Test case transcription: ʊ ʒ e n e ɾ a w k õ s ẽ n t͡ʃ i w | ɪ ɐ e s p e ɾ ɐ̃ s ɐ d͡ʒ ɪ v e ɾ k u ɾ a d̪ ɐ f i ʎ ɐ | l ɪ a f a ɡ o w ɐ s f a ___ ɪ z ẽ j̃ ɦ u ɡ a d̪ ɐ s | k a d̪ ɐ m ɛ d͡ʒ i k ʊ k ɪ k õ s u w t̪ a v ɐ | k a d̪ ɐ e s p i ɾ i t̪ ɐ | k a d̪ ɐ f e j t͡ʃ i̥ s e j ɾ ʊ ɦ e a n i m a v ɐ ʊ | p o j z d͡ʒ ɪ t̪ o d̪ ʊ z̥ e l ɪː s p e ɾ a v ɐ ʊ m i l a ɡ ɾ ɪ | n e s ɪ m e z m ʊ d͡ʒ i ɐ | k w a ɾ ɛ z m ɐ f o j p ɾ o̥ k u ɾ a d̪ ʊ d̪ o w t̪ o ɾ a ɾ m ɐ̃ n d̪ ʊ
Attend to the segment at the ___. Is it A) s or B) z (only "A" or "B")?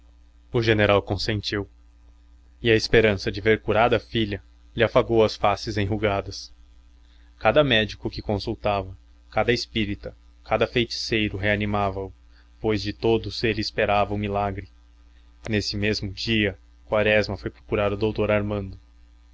A